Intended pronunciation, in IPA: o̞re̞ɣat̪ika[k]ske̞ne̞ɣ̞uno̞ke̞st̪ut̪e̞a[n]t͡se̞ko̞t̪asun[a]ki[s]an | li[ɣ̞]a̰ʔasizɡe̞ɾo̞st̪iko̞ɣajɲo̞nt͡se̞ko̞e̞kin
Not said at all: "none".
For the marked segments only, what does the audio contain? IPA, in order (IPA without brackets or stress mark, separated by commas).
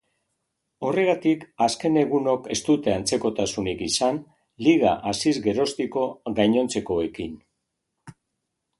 none, n, i, s, ɣ̞